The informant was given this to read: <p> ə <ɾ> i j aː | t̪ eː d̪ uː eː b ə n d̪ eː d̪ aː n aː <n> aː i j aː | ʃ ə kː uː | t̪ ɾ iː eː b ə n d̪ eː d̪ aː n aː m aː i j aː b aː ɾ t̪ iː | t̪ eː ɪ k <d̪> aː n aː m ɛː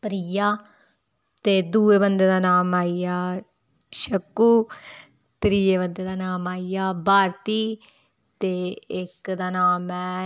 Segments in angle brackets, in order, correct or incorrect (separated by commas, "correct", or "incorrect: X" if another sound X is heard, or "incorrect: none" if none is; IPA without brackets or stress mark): correct, correct, incorrect: m, correct